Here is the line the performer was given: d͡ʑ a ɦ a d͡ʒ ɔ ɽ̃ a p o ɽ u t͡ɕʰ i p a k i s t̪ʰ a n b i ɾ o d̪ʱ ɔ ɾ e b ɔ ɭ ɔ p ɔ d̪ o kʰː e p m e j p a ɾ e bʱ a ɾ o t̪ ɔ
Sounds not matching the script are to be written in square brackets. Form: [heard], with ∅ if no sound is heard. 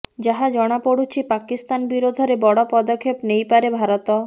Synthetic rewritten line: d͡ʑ a ɦ a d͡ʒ ɔ ɽ̃ a p o ɽ u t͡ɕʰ i p a k i s [t̪] a n b i ɾ o d̪ʱ ɔ ɾ e b ɔ [ɽ] ɔ p ɔ d̪ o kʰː e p [n] e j p a ɾ e bʱ a ɾ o t̪ ɔ